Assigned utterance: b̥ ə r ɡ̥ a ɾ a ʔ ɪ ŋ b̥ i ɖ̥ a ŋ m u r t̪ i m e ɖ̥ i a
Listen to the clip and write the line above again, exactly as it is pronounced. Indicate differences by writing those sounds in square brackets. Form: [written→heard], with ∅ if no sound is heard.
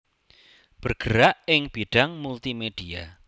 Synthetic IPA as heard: b̥ ə r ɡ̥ [a→ə] ɾ a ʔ ɪ ŋ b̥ i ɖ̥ a ŋ m u [r→l] t̪ i m e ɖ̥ i a